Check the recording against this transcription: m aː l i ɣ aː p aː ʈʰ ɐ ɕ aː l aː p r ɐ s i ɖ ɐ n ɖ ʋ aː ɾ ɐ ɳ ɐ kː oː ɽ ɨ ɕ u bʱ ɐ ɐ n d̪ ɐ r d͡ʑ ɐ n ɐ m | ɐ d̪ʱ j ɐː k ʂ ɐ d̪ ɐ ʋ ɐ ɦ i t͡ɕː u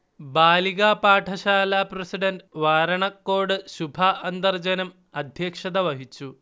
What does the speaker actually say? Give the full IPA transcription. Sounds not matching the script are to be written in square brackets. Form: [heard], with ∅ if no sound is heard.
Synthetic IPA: [b] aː l i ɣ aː p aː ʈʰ ɐ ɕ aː l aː p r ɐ s i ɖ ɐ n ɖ ʋ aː ɾ ɐ ɳ ɐ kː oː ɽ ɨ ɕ u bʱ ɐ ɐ n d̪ ɐ r d͡ʑ ɐ n ɐ m | ɐ d̪ʱ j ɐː k ʂ ɐ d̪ ɐ ʋ ɐ ɦ i t͡ɕː u

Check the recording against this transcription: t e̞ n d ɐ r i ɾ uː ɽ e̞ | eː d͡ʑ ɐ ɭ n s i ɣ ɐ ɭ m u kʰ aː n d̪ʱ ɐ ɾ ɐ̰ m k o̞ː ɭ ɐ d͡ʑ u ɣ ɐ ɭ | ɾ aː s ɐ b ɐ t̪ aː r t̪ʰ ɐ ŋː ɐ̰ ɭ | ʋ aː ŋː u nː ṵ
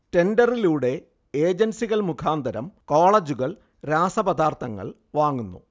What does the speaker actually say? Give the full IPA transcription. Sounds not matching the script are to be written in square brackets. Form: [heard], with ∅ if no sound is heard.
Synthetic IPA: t e̞ n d ɐ r i [l] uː ɽ e̞ | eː d͡ʑ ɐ [∅] n s i ɣ ɐ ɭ m u kʰ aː n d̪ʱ ɐ ɾ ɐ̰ m k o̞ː ɭ ɐ d͡ʑ u ɣ ɐ ɭ | ɾ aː s ɐ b ɐ [d̪] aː r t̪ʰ ɐ ŋː ɐ̰ ɭ | ʋ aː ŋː u nː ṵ

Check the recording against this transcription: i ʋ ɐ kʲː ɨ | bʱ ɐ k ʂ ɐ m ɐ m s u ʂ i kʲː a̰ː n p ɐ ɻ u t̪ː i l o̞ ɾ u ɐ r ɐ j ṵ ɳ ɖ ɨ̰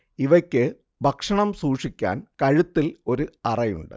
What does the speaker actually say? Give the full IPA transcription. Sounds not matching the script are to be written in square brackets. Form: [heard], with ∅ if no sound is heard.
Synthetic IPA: i ʋ ɐ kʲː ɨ | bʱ ɐ k ʂ ɐ [ɳ] ɐ m s [uː] ʂ i kʲː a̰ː n [k] ɐ ɻ u t̪ː i l o̞ ɾ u ɐ r ɐ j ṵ ɳ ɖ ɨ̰

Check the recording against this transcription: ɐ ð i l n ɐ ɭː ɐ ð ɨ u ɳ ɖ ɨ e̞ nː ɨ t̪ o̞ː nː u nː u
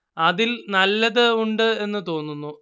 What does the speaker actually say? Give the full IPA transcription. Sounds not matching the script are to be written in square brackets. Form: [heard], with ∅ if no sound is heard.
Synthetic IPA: ɐ ð i l n ɐ [lː] ɐ ð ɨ u ɳ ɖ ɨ e̞ nː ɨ t̪ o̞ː nː u nː u

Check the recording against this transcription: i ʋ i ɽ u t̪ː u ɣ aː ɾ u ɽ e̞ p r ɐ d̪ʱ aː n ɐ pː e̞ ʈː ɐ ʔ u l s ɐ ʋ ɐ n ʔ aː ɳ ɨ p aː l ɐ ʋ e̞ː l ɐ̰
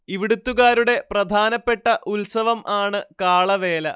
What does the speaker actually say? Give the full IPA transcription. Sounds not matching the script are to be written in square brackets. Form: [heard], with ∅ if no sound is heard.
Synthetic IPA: i ʋ i ɽ u t̪ː u ɣ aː ɾ u ɽ e̞ p r ɐ d̪ʱ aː n ɐ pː e̞ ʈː ɐ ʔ u l s ɐ ʋ ɐ [m] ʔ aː ɳ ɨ [k] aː [ɭ] ɐ ʋ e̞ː l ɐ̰

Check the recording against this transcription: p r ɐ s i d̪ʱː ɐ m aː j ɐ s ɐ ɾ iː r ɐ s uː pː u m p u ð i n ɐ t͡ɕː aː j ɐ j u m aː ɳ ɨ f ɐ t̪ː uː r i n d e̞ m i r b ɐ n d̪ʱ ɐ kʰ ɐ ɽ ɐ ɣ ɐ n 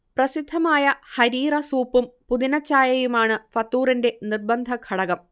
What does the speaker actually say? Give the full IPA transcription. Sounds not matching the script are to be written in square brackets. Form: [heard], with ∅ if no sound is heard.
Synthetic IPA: p r ɐ s i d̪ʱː ɐ m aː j ɐ [h] ɐ ɾ iː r ɐ s uː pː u m p u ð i n ɐ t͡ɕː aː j ɐ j u m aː ɳ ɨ f ɐ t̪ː uː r i n d e̞ [n] i r b ɐ n d̪ʱ ɐ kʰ ɐ ɽ ɐ ɣ ɐ [m]

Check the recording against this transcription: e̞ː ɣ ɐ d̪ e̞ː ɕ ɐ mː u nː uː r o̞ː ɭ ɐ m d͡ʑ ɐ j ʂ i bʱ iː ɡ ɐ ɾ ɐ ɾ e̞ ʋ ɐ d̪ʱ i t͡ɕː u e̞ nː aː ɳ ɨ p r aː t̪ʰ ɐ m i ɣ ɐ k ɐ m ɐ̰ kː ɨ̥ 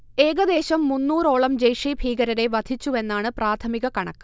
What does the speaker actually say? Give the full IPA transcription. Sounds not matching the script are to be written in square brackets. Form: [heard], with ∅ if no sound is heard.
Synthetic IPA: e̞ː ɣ ɐ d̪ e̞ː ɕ ɐ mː u nː uː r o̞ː ɭ ɐ m d͡ʑ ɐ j ʂ i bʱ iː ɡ ɐ ɾ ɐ ɾ e̞ ʋ ɐ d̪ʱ i t͡ɕː u e̞ nː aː ɳ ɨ p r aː t̪ʰ ɐ m i ɣ ɐ k ɐ [ɳ] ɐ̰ kː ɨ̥

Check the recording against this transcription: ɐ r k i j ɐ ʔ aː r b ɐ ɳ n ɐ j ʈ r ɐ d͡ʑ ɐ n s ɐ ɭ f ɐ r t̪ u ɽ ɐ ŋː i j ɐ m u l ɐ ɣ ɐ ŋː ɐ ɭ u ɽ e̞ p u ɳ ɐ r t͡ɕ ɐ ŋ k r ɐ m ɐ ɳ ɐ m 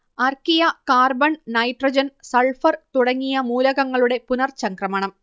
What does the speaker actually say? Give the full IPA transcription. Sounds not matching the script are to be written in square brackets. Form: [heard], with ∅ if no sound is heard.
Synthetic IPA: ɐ r k i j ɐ [k] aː r b ɐ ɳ n ɐ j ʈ r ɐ d͡ʑ ɐ n s ɐ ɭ f ɐ r t̪ u ɽ ɐ ŋː i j ɐ m [uː] l ɐ ɣ ɐ ŋː ɐ ɭ u ɽ e̞ p u [n] ɐ r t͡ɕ ɐ ŋ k r ɐ m ɐ ɳ ɐ m

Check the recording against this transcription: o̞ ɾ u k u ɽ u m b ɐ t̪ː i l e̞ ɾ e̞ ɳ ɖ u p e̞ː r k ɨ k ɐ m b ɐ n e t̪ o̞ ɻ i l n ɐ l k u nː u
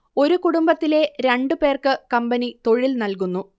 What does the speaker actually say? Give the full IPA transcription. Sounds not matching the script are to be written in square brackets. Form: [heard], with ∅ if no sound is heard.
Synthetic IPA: o̞ ɾ u k u ɽ u m b ɐ t̪ː i l e̞ ɾ e̞ ɳ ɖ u p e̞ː r k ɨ k ɐ m b ɐ n [i] t̪ o̞ ɻ i l n ɐ l k u nː u

